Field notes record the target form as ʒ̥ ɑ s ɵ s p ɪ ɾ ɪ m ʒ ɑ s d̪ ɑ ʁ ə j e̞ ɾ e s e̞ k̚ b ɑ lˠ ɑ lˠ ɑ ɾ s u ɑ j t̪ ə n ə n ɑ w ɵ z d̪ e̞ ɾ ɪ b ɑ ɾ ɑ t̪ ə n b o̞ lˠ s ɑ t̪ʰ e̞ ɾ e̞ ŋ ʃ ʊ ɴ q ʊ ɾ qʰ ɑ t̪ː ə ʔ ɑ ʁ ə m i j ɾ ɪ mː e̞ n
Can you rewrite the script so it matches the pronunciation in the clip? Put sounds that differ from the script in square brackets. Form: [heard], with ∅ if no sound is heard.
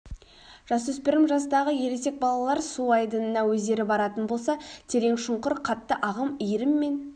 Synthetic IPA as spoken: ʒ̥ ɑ s ɵ s p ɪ ɾ ɪ m ʒ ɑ s d̪ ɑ ʁ ə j e̞ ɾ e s e̞ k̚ b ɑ lˠ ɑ lˠ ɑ ɾ s u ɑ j [d̪] ə n ə n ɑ w ɵ z d̪ e̞ ɾ ɪ b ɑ ɾ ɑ t̪ ə n b o̞ lˠ s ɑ t̪ʰ e̞ ɾ e̞ ŋ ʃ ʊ ɴ q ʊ ɾ qʰ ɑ t̪ː ə ʔ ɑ ʁ ə m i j ɾ ɪ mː e̞ n